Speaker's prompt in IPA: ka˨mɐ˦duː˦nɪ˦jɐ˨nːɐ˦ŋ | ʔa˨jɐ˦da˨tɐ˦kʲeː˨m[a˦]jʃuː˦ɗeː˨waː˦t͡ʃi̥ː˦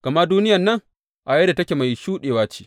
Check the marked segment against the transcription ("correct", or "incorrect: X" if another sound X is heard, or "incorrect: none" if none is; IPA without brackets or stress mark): incorrect: a˨